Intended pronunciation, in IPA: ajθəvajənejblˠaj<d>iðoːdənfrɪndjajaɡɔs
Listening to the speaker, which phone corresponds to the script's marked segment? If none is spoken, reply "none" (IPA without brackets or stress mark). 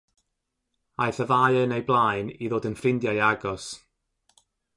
n